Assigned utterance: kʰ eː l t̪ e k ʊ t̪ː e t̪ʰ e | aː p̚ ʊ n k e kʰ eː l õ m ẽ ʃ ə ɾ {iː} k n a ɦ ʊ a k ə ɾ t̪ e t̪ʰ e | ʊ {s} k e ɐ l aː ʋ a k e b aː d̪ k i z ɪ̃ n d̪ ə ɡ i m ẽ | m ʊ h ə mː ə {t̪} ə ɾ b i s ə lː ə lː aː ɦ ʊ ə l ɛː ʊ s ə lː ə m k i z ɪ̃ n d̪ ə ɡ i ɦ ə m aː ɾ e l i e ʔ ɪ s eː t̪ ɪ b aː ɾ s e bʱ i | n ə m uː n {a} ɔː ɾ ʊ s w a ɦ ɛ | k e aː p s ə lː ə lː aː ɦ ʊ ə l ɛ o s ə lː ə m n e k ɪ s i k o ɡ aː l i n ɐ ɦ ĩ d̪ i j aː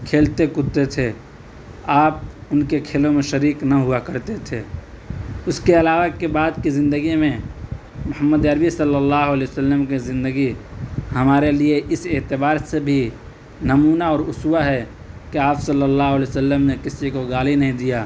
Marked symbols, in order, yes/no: yes, yes, no, yes

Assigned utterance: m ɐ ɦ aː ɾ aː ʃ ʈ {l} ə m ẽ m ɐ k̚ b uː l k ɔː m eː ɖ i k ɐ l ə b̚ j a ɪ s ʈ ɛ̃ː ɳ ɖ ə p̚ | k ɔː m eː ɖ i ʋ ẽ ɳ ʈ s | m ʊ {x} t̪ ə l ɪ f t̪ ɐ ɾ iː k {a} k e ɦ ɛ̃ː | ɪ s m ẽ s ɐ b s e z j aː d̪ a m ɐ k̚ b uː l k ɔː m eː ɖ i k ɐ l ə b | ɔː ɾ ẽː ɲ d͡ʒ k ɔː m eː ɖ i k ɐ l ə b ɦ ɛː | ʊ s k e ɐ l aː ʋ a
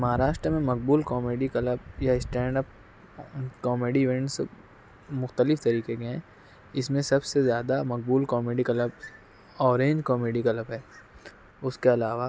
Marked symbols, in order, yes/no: no, yes, no

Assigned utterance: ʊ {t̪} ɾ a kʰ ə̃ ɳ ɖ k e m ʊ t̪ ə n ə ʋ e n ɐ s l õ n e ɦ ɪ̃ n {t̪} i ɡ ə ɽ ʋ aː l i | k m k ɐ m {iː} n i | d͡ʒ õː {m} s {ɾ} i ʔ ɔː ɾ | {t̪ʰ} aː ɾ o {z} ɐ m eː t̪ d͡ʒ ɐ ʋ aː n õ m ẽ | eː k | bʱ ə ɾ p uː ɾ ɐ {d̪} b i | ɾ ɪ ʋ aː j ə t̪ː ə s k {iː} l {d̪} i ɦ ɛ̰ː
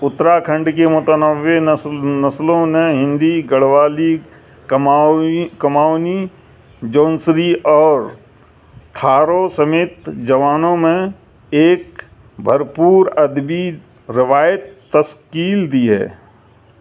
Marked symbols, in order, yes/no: yes, no, no, no, yes, yes, no, yes, yes, yes

